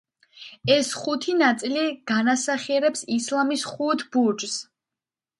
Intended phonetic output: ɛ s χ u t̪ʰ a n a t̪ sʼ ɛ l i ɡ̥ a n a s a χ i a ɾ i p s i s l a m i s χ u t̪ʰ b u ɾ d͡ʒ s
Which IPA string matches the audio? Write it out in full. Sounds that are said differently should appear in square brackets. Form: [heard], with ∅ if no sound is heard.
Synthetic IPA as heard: ɛ s χ u t̪ʰ [i] n a t̪ sʼ [i] l i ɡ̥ a n a s a χ i [ɛ] ɾ [ɛ] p s i s l a m i s χ u t̪ʰ b u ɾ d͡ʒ s